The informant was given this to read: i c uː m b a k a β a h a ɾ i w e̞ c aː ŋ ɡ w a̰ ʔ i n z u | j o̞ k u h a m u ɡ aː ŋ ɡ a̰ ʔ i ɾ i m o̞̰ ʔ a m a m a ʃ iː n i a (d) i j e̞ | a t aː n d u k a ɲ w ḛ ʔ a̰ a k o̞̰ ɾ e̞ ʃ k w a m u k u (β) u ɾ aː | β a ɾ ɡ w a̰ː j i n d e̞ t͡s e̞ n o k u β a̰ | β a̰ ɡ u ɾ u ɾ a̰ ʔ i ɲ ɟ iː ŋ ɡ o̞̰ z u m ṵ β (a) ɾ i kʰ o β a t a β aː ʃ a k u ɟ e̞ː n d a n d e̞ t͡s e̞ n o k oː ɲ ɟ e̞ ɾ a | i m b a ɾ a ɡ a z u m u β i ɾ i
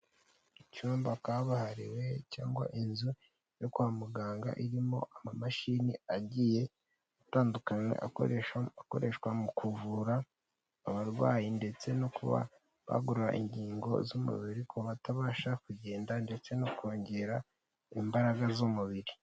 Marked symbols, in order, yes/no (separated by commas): no, no, no